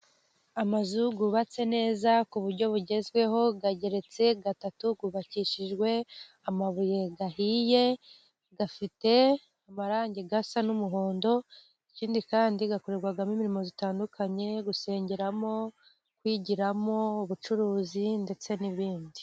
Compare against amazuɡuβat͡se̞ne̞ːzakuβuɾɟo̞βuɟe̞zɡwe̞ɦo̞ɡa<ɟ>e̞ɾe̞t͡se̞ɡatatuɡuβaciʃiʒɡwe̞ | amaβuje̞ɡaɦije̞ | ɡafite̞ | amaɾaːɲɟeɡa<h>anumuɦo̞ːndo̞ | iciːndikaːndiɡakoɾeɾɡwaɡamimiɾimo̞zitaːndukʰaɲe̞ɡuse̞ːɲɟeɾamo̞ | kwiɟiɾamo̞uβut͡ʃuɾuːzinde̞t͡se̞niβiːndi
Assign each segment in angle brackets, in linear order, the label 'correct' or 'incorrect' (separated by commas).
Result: correct, incorrect